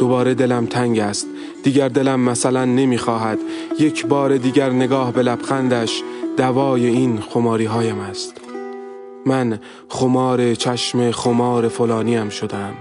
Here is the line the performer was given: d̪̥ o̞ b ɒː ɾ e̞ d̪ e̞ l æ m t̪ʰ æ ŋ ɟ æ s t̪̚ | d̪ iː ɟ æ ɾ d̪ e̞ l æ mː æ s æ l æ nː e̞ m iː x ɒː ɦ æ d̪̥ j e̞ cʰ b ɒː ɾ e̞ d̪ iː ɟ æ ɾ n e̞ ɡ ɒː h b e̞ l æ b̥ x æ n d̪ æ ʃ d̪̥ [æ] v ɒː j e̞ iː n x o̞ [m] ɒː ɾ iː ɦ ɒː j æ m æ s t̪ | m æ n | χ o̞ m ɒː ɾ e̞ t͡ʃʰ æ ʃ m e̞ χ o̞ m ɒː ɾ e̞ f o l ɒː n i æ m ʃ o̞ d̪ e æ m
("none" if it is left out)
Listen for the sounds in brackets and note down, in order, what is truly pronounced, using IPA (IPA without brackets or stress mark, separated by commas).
æ, m